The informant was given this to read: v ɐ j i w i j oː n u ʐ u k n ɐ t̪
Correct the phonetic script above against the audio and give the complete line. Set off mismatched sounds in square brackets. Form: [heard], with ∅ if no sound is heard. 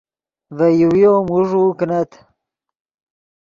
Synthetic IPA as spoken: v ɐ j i w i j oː [m] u ʐ u k n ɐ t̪